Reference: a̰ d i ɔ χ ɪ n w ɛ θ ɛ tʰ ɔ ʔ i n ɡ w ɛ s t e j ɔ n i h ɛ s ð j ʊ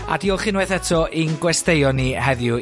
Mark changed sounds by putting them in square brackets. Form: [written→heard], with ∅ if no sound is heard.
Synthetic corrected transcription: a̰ d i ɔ χ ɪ n w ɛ θ ɛ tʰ ɔ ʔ i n ɡ w ɛ s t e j ɔ n i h ɛ [s→∅] ð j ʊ